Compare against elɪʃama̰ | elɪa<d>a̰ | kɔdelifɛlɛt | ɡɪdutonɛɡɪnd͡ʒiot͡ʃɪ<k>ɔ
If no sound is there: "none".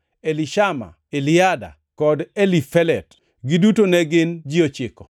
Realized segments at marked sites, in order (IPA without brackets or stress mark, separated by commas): d, k